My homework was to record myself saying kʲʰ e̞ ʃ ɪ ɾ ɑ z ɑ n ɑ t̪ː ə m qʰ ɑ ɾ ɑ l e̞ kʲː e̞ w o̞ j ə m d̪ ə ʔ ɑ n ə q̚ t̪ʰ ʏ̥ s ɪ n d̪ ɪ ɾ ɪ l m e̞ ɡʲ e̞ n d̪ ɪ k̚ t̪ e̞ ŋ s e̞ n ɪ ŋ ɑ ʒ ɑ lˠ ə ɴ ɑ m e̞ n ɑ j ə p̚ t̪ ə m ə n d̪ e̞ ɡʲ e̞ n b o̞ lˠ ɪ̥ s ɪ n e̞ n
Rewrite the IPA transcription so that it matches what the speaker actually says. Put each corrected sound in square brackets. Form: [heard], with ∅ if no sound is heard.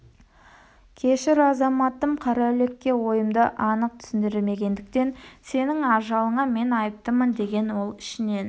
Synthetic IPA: kʲʰ e̞ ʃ ɪ ɾ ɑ z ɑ [m] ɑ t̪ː ə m qʰ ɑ ɾ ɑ l e̞ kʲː e̞ w o̞ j ə m d̪ ə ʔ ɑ n ə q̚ t̪ʰ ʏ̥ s ɪ n d̪ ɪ ɾ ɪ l m e̞ ɡʲ e̞ n d̪ ɪ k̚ t̪ e̞ [n] s e̞ n ɪ ŋ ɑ ʒ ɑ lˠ ə ɴ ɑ m e̞ n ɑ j ə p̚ t̪ ə m ə n d̪ e̞ ɡʲ e̞ n [w] o̞ lˠ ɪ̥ [ʃ] ɪ n e̞ n